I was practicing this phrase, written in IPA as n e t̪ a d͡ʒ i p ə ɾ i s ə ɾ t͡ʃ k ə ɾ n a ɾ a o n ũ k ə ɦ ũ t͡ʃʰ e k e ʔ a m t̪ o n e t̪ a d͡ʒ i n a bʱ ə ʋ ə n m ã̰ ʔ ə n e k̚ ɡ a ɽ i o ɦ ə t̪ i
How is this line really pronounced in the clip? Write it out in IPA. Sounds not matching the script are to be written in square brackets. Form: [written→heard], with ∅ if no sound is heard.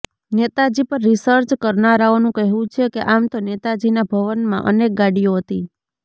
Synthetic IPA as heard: n e t̪ a d͡ʒ i p ə [ɾ→ɾː] i s ə ɾ t͡ʃ k ə ɾ n a ɾ a o n ũ k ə ɦ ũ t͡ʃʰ e k e ʔ a m t̪ o n e t̪ a d͡ʒ i n a bʱ ə ʋ ə n m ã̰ ʔ ə n e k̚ ɡ a ɽ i o ɦ ə t̪ i